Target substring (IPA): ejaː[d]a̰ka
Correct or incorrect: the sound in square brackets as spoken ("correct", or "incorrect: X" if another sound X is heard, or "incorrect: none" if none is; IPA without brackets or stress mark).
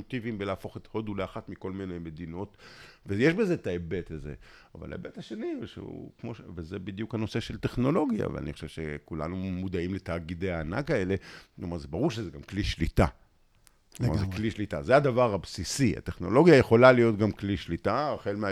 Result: incorrect: n